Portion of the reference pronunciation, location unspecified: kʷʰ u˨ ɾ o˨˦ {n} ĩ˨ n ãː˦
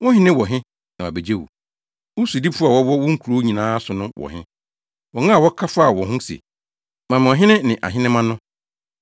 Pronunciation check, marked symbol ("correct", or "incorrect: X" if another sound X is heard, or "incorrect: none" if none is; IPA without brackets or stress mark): incorrect: ɲ